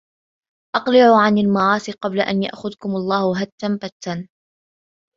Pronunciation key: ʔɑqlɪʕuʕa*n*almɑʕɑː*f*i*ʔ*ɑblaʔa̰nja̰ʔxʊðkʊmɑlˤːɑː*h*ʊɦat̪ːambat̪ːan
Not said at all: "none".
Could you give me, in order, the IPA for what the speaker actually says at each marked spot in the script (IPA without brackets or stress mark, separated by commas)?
n, s, q, h